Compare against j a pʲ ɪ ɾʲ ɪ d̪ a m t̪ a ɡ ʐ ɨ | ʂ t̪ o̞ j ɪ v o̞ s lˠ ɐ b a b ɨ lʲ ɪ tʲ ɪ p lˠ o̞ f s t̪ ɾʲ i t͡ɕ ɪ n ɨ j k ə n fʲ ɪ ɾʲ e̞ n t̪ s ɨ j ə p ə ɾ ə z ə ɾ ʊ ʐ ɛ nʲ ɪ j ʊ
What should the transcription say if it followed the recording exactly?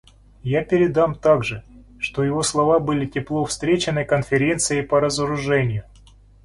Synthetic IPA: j a pʲ ɪ ɾʲ ɪ d̪ a m t̪ a ɡ ʐ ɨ | ʂ t̪ o̞ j ɪ v o̞ s lˠ ɐ v a b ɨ lʲ ɪ tʲ ɪ p lˠ o̞ f s t̪ ɾʲ e t͡ɕ ɪ n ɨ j k ə n fʲ ɪ ɾʲ e̞ n t̪ s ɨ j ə p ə ɾ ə z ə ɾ ʊ ʐ ɛ nʲ ɪ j ʊ